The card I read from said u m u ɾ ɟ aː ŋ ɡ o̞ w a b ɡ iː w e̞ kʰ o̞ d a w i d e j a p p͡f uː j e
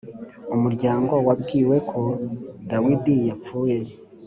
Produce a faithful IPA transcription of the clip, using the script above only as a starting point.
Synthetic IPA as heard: u m u ɾ ɟ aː ŋ ɡ o̞ w a b ɡ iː w e̞ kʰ o̞ d a w i d i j a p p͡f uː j e